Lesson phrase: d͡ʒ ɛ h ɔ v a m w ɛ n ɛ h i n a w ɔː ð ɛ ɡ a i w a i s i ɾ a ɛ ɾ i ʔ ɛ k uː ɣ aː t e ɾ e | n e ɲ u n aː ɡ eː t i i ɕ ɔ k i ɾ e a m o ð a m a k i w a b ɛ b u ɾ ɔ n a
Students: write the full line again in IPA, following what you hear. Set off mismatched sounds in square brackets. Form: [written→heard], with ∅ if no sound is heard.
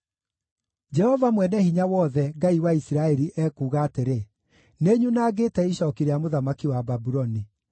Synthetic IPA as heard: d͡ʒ ɛ h ɔ v a m w ɛ n ɛ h i [n→ɲ] a w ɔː ð ɛ ɡ a i w a i s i ɾ a ɛ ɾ i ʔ ɛ k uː ɣ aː t e ɾ e | n e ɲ u n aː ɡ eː t [i→ɛ] i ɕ ɔ k i ɾ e a m o ð a m a k i w a b [ɛ→a] b u ɾ ɔ n [a→i]